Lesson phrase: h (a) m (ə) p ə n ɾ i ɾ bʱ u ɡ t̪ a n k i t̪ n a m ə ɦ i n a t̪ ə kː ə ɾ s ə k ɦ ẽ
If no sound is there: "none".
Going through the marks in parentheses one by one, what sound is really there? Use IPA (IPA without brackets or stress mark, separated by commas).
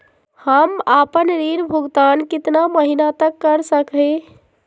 ə, a